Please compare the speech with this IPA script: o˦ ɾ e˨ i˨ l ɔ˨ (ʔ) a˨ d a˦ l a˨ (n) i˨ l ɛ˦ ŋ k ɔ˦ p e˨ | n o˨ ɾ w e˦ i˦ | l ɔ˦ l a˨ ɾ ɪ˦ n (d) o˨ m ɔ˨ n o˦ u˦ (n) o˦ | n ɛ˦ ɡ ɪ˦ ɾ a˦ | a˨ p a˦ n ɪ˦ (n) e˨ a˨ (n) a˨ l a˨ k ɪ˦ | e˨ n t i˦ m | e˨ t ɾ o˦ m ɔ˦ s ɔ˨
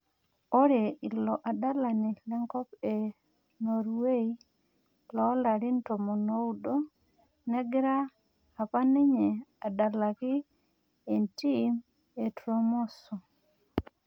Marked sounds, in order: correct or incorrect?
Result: correct, correct, incorrect: t, incorrect: d, incorrect: ɲ, incorrect: d

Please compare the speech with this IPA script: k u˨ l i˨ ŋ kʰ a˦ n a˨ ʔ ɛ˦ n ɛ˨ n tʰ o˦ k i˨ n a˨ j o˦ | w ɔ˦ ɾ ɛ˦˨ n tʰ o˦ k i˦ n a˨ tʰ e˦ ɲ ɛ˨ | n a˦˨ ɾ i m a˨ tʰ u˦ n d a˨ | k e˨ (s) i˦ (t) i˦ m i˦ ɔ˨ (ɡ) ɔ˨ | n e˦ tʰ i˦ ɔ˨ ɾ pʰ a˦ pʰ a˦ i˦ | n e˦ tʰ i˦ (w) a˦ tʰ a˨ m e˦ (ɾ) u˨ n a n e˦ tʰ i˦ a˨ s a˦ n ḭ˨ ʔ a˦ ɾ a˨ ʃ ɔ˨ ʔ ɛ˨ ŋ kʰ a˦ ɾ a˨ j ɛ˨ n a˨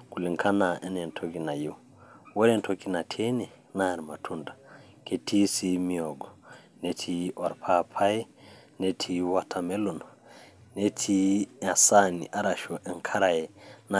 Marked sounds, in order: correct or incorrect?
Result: incorrect: t, incorrect: s, correct, correct, incorrect: l

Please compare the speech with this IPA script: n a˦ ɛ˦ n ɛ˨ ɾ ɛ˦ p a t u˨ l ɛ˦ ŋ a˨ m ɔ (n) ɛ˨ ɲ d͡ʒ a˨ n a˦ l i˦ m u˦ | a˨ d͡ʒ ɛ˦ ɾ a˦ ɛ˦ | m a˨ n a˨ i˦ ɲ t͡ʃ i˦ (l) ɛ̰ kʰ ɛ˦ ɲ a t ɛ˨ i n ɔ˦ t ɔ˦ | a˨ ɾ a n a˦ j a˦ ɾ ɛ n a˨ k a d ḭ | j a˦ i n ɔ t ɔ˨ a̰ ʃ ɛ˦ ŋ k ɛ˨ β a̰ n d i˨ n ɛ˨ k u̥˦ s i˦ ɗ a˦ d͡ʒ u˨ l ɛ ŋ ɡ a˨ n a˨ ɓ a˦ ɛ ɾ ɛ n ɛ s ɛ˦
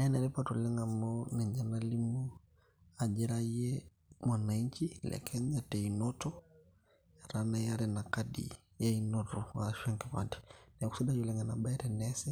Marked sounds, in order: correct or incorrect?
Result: correct, correct

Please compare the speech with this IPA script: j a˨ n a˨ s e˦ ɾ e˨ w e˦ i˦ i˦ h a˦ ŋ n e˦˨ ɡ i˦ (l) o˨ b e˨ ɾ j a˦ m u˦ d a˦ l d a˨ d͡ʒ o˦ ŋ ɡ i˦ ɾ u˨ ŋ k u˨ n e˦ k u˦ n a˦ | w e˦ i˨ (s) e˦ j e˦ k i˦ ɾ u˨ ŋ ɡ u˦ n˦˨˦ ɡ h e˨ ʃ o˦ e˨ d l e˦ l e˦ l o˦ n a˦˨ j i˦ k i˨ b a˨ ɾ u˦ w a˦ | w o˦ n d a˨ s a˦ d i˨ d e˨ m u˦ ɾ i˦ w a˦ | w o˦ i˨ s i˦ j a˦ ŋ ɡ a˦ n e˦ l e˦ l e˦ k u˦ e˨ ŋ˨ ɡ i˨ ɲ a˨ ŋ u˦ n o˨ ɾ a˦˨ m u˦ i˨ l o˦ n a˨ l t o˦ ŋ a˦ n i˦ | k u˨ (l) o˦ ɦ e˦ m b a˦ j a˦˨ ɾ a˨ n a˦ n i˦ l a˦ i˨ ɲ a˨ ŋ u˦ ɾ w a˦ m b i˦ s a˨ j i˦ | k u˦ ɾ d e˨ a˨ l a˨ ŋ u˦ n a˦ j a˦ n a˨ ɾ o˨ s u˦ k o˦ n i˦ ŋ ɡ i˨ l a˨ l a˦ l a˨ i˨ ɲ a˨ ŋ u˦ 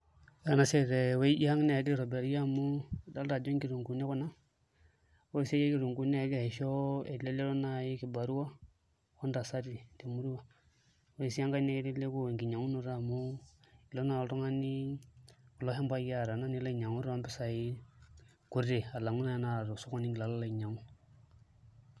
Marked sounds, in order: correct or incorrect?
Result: incorrect: ɾ, correct, correct

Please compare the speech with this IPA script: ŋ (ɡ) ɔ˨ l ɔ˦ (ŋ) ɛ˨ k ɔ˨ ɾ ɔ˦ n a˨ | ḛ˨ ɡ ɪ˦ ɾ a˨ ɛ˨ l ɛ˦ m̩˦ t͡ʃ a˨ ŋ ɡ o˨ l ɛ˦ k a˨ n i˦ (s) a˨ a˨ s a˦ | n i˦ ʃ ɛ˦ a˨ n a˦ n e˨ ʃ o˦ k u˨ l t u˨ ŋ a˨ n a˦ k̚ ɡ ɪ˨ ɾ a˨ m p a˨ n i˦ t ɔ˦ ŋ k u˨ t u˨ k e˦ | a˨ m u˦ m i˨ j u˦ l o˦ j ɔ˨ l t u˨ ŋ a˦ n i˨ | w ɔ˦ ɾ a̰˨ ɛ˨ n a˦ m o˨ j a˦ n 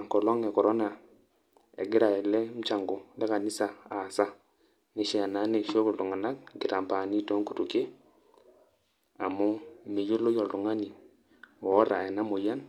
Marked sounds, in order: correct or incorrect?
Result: incorrect: k, correct, correct

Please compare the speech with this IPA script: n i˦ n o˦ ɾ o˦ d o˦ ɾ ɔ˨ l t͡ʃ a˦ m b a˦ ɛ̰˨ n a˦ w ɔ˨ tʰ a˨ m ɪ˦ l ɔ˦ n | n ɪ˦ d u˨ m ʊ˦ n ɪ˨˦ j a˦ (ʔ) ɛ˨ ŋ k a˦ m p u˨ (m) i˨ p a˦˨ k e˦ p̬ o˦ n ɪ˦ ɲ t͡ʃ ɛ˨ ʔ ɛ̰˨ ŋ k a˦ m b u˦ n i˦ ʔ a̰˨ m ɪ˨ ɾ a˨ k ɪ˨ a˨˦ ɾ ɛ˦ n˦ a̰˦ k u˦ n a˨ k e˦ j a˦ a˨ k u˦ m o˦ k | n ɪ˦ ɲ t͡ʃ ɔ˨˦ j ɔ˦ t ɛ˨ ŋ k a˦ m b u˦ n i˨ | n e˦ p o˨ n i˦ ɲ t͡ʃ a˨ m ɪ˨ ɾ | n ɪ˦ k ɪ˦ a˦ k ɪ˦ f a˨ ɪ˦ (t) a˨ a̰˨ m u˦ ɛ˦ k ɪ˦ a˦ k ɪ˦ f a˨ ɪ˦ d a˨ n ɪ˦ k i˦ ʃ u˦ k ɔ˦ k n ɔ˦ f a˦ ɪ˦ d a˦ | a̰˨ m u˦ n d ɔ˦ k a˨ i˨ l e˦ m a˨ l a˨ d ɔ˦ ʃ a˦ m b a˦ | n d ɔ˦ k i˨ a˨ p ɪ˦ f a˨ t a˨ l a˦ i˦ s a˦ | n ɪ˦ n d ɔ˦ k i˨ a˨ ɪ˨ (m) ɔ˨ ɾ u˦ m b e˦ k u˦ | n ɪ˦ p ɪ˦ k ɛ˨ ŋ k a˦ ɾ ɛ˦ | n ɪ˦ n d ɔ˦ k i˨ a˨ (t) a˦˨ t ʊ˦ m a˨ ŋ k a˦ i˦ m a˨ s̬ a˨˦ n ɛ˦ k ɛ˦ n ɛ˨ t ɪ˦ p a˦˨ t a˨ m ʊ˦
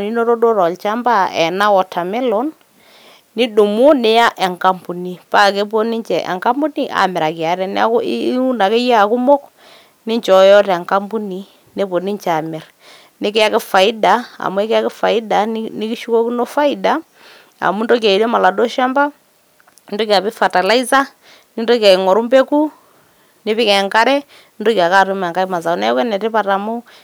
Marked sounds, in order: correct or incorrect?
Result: correct, incorrect: n, incorrect: d, incorrect: ŋ, incorrect: k

